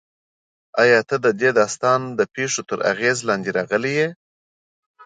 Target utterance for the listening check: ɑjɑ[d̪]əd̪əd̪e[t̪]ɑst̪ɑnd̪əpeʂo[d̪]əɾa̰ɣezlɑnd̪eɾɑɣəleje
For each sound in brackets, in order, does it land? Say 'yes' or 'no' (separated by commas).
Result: no, no, no